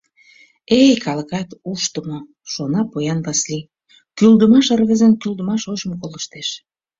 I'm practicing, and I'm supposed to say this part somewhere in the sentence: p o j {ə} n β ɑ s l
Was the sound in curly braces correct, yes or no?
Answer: no